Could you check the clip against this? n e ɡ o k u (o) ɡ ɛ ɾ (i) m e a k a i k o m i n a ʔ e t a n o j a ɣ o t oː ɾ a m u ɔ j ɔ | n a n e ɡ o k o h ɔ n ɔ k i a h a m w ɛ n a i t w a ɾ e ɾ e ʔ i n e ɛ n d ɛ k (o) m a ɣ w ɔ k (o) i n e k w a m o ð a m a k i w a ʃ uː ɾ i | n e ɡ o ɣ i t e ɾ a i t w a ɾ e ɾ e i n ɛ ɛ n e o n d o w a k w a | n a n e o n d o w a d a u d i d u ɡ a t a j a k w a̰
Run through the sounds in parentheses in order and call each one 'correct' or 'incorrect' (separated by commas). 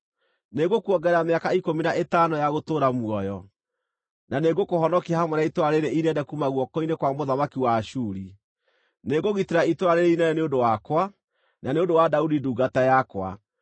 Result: incorrect, incorrect, incorrect, incorrect